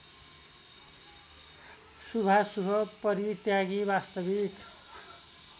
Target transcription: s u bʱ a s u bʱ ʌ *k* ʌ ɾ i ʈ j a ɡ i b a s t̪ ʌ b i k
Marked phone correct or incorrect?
incorrect